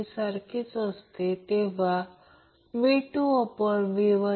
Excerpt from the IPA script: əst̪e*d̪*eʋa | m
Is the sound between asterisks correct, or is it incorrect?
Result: incorrect